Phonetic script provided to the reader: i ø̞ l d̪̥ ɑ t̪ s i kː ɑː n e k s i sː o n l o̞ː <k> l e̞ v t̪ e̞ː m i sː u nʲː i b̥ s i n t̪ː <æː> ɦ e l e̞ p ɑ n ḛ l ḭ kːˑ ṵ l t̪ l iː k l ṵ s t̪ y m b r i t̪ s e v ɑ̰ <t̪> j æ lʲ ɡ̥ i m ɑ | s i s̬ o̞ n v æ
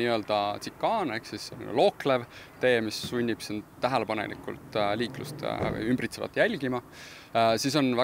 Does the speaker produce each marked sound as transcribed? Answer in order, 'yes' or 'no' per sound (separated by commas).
yes, no, yes